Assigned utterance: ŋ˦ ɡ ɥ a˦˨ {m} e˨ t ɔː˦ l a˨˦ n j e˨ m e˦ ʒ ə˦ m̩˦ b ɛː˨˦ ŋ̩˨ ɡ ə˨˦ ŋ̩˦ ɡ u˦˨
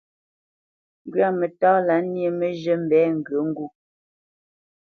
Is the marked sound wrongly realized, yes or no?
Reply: no